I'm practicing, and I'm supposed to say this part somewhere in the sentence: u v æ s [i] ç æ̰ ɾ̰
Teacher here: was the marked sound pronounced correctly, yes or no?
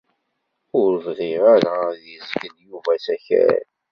no